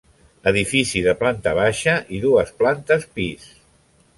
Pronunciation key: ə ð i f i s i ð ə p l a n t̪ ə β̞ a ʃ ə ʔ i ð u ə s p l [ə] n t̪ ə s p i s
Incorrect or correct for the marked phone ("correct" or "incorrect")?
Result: incorrect